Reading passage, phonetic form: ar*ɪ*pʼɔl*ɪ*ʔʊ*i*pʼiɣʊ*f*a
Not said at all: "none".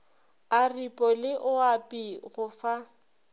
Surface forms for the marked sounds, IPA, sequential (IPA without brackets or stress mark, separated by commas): i, ɪ, a, f